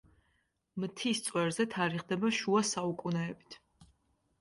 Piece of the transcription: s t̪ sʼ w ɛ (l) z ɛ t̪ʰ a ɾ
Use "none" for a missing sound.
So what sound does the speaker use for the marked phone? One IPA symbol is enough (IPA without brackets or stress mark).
ɾ